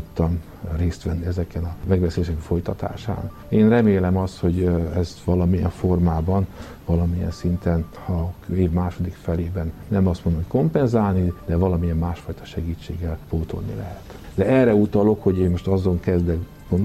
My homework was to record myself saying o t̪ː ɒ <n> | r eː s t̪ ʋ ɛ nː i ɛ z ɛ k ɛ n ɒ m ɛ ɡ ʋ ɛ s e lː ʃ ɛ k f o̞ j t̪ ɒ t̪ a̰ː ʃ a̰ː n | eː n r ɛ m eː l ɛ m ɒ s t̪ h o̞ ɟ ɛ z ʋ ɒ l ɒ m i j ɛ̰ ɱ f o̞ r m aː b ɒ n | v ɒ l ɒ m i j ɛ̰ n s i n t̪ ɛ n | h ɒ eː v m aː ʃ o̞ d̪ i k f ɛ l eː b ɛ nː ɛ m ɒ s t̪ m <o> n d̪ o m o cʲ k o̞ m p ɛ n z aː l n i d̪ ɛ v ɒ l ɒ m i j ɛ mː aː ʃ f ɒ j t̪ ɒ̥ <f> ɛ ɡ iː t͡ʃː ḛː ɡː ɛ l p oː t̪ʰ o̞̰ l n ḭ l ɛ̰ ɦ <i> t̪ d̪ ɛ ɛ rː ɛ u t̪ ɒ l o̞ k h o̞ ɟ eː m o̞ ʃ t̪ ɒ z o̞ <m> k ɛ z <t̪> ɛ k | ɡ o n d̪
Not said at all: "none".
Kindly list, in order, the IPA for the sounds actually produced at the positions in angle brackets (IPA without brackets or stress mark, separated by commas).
m, o, ʃ, ɛ, ŋ, d̪